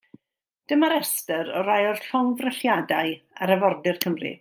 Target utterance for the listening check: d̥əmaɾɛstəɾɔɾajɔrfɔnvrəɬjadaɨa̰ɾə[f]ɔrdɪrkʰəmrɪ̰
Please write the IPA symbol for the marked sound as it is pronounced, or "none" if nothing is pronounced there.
v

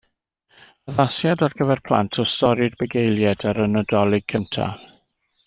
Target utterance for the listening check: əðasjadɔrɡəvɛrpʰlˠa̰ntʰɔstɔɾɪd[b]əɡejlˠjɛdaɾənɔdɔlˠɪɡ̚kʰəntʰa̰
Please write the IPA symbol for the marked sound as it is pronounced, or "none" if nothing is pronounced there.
b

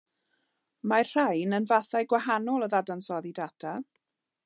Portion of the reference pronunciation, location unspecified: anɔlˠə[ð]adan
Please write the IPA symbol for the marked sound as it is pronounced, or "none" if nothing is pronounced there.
ð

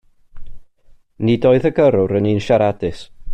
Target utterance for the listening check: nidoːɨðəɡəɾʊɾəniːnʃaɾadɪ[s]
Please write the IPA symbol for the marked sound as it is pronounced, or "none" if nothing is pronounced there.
s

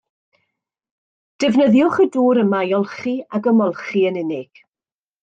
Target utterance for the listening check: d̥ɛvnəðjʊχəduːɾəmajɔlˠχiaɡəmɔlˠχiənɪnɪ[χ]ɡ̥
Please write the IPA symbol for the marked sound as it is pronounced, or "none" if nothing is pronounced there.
none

